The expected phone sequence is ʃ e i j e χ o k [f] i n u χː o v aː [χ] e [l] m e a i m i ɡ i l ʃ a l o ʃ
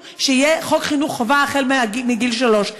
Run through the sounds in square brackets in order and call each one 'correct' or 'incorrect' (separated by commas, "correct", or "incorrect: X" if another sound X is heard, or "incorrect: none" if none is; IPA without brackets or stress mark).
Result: incorrect: χ, correct, correct